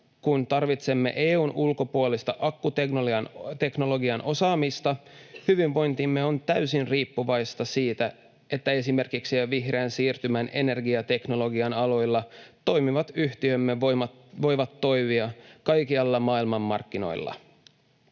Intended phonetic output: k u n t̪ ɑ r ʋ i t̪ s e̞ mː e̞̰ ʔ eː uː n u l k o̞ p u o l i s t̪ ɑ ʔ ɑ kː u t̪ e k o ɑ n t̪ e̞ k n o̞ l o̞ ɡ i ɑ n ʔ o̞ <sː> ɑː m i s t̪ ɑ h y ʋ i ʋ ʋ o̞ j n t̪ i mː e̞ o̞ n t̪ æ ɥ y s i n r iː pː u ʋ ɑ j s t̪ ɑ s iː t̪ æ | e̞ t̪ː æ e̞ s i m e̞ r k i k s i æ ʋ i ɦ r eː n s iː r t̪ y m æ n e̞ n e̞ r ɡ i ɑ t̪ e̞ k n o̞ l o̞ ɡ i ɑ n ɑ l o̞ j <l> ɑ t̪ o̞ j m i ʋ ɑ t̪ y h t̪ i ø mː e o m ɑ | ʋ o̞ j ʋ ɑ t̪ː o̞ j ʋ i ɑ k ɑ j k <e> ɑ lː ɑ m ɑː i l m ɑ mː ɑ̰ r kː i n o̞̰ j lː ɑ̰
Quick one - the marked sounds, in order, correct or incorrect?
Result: incorrect: s, incorrect: lː, incorrect: i

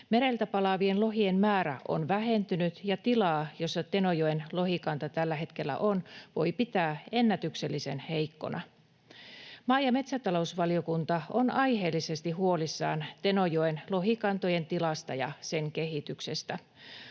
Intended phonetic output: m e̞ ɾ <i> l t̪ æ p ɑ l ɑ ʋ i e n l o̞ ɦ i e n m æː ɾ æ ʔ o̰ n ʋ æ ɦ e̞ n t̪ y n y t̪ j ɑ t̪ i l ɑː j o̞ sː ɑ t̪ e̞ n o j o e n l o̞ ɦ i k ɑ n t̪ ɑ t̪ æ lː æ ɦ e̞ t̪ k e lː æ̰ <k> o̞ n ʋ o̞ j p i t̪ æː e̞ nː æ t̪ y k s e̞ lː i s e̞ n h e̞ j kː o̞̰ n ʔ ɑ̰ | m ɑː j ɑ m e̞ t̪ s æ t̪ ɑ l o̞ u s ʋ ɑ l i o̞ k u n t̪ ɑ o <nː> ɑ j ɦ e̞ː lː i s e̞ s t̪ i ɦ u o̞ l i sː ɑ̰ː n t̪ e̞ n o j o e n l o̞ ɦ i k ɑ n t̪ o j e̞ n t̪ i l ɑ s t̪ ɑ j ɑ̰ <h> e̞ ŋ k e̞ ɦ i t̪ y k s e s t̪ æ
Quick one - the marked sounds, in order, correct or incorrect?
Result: incorrect: e, incorrect: ʔ, incorrect: n, incorrect: s

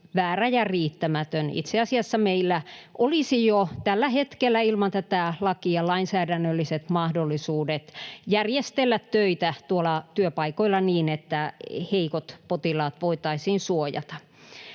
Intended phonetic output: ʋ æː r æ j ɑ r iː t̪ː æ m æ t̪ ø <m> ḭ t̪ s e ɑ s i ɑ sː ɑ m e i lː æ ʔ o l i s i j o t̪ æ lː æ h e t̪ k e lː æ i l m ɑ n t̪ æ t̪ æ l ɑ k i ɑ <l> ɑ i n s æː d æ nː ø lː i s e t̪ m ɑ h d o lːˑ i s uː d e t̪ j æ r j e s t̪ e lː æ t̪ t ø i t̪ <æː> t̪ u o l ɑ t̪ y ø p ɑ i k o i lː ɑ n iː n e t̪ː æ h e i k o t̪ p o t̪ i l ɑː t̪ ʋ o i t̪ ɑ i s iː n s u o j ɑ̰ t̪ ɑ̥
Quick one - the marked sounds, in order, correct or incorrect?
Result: incorrect: n, correct, incorrect: æ

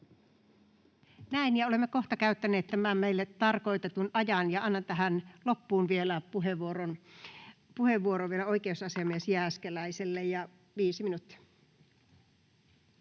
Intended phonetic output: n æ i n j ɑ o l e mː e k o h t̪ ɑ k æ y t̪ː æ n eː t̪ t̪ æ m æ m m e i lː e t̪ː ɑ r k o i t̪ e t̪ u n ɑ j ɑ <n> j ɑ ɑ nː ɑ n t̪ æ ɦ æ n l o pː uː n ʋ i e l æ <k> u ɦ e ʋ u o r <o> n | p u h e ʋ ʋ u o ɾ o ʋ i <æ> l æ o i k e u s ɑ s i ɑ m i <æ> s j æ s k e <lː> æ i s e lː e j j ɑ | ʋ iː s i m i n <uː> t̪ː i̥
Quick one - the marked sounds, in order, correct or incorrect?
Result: correct, incorrect: p, correct, incorrect: e, incorrect: e, incorrect: l, incorrect: u

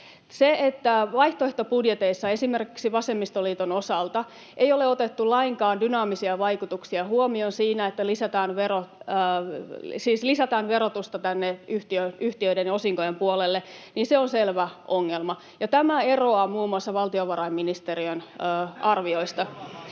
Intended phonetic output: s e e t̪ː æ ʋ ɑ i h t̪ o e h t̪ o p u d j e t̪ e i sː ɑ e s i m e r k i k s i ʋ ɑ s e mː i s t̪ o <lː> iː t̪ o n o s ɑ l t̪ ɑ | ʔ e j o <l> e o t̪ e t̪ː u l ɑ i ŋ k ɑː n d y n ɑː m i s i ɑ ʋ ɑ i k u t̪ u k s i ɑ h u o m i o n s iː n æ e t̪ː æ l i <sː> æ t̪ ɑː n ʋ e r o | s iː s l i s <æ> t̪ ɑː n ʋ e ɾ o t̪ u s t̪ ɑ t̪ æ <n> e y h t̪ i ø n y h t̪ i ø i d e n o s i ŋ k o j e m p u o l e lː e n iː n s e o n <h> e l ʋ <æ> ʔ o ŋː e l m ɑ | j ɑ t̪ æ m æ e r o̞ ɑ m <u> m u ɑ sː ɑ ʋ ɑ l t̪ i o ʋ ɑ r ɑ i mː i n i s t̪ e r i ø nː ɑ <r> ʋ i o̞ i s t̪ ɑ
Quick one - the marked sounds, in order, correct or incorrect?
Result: incorrect: l, correct, incorrect: s, correct, incorrect: nː, incorrect: s, correct, incorrect: uː, correct

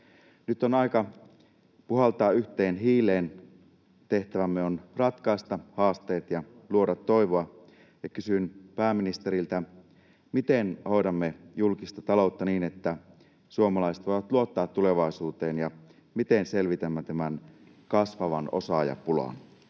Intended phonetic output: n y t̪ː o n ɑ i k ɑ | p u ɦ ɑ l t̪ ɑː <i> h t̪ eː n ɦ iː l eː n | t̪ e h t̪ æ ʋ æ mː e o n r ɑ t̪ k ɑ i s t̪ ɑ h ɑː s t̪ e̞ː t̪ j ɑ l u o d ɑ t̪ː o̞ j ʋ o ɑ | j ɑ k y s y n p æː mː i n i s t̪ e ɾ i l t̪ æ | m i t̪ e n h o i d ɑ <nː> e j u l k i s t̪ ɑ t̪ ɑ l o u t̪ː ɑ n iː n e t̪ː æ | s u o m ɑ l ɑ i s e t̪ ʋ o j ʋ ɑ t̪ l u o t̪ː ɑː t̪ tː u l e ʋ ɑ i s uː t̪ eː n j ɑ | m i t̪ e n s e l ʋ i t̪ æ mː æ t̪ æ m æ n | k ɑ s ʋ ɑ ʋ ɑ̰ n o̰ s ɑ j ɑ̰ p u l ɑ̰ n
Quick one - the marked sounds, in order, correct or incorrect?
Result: incorrect: y, incorrect: mː

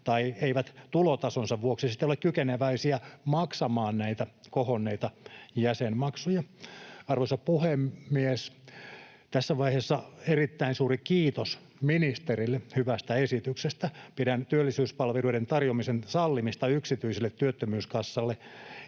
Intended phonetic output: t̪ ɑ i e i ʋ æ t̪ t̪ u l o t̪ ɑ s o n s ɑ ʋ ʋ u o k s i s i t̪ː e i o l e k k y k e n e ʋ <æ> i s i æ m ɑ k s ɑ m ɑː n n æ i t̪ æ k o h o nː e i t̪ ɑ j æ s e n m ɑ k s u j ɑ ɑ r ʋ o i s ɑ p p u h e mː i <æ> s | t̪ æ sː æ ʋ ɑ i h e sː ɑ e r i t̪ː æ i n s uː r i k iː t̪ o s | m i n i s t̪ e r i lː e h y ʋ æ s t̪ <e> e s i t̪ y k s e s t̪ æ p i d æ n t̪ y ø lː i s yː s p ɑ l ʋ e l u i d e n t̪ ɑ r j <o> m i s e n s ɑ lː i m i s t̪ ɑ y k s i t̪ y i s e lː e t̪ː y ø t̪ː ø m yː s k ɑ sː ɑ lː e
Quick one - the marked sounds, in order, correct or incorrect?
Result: correct, incorrect: e, incorrect: æ, correct

